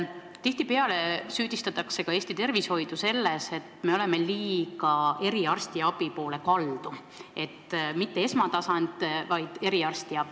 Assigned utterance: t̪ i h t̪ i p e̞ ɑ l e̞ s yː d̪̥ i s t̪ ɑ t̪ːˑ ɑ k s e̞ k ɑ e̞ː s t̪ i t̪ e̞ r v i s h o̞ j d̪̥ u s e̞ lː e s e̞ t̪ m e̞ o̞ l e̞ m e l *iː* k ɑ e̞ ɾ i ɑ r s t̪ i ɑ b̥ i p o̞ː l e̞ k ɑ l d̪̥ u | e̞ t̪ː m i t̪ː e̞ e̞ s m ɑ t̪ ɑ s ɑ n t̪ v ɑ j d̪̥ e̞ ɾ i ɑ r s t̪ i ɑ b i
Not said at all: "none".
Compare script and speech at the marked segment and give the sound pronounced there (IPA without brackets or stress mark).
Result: iː